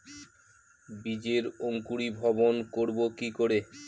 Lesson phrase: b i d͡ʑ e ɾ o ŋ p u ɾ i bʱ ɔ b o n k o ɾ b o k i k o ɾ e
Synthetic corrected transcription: b i d͡ʑ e ɾ o ŋ k u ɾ i bʱ ɔ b o n k o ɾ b o k i k o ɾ e